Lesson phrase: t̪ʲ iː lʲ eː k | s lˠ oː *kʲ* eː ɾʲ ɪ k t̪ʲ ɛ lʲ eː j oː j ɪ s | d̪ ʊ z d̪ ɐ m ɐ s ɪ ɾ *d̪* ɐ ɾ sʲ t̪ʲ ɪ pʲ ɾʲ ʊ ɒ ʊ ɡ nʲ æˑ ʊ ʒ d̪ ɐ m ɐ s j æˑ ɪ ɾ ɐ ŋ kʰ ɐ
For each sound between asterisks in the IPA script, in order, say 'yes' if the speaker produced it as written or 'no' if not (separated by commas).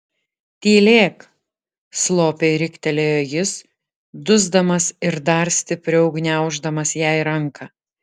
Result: no, yes